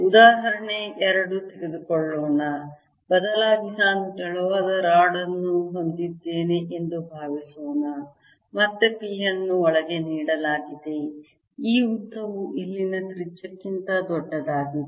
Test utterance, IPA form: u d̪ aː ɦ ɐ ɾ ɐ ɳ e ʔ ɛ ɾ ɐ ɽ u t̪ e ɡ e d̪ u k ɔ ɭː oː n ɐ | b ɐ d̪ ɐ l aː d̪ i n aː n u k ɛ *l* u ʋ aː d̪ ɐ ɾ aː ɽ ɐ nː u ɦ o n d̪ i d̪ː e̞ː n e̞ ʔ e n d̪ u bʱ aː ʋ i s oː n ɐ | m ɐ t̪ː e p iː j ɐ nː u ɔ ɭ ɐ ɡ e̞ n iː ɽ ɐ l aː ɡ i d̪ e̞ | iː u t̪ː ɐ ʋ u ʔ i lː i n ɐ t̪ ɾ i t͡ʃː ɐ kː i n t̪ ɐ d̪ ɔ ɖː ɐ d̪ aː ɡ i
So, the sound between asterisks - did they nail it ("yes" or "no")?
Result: no